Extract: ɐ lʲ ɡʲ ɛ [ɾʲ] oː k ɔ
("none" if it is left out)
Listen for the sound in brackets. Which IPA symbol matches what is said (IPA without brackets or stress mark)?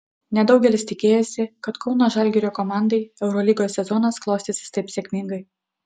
ɾʲ